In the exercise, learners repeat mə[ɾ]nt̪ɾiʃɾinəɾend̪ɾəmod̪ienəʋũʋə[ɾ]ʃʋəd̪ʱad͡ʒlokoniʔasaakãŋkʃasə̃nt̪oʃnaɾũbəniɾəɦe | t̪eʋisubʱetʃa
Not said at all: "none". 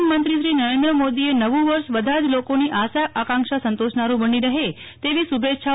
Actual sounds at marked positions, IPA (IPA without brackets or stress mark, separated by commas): none, ɾ